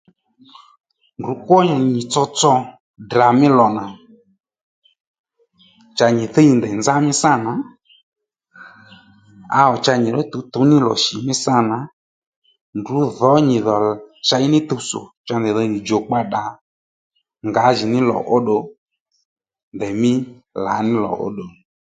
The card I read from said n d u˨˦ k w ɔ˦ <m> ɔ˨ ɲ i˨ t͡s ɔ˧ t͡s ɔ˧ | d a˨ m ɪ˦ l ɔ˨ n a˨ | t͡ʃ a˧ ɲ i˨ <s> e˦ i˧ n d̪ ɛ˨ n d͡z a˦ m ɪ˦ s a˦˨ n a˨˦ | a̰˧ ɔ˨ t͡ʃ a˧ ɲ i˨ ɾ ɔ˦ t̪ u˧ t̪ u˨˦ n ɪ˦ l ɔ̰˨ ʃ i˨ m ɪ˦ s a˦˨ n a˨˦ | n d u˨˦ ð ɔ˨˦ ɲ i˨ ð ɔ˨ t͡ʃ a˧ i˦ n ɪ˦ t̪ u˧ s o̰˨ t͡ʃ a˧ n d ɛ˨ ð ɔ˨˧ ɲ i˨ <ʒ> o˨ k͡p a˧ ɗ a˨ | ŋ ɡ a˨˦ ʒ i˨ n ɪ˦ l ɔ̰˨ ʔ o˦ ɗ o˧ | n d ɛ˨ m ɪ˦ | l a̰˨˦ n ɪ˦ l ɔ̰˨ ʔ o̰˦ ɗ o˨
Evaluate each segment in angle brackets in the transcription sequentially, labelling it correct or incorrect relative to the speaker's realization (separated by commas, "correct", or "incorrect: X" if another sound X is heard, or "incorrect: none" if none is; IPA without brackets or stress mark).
incorrect: ɲ, incorrect: θ, incorrect: d͡ʒ